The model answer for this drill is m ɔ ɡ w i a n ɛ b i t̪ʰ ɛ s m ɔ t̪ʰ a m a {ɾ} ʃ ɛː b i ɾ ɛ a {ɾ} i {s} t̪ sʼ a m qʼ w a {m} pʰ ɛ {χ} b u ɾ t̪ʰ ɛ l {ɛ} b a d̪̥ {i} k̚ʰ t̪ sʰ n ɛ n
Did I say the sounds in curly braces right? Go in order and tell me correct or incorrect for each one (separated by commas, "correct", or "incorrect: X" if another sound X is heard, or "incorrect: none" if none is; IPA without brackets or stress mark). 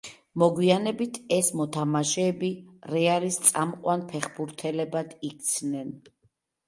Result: incorrect: none, incorrect: l, correct, incorrect: n, correct, correct, correct